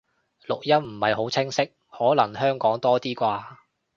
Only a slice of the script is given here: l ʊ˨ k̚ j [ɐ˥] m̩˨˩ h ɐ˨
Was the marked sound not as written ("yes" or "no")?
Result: no